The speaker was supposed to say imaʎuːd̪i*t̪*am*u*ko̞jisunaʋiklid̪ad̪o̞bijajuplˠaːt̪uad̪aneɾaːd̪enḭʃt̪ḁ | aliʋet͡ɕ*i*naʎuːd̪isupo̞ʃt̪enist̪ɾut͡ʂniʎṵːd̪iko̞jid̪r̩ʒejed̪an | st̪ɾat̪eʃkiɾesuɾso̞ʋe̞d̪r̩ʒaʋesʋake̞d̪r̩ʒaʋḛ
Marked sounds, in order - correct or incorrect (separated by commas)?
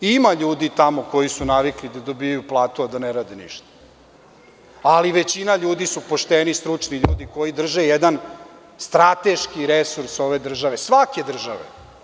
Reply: correct, incorrect, correct